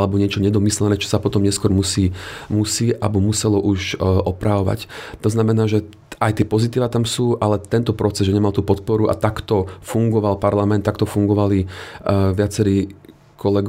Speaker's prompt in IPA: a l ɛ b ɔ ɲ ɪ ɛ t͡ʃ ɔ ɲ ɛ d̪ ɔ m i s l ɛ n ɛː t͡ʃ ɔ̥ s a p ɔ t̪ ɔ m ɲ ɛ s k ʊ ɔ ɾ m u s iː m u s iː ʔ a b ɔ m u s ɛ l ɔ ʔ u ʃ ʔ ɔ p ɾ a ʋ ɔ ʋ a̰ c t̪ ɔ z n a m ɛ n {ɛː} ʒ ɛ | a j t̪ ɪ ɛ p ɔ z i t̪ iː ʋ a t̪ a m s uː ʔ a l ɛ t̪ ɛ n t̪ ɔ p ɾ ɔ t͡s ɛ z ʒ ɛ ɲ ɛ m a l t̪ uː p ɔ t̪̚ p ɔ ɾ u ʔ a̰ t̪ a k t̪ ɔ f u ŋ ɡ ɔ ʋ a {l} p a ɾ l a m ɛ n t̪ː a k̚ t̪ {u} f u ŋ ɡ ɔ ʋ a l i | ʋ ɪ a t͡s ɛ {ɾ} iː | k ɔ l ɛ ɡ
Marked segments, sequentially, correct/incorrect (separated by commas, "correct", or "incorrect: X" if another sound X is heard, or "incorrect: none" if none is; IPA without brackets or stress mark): incorrect: aː, correct, incorrect: ɔ, correct